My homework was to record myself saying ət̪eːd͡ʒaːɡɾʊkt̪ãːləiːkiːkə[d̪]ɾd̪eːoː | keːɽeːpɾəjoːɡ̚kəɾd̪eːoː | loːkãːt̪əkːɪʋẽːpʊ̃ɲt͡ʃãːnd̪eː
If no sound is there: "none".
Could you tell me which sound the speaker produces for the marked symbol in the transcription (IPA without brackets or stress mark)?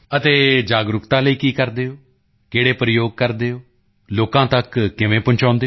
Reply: none